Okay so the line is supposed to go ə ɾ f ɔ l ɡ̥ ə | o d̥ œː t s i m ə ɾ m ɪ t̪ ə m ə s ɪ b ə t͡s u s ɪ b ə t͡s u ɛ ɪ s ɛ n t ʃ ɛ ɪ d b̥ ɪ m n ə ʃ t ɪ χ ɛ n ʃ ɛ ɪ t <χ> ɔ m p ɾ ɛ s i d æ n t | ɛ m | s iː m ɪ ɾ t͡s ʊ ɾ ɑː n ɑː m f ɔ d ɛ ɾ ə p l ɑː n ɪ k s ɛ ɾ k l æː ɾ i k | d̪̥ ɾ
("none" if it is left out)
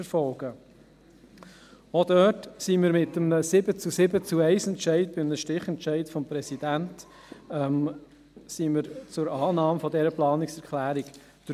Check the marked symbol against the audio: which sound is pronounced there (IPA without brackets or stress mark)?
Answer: f